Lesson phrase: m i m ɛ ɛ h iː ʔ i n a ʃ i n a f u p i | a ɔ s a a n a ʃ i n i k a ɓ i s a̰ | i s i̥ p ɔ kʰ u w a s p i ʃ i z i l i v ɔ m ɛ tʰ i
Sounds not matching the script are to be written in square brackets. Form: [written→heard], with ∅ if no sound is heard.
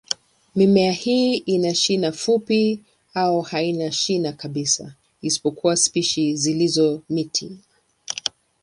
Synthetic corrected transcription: m i m ɛ [ɛ→a] h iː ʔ i n a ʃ i n a f u p i | a ɔ [s→h] a [a→i] n a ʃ i n [i→a] k a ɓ i s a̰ | i s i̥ p ɔ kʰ u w a s p i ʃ i z i l i [v→z] ɔ m [ɛ→i] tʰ i